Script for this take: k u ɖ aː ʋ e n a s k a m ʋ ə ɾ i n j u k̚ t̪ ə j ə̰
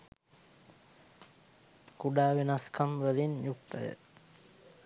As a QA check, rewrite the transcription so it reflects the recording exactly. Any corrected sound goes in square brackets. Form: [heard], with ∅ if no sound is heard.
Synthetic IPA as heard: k u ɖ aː ʋ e n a s k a m ʋ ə [l] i n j u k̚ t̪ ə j ə̰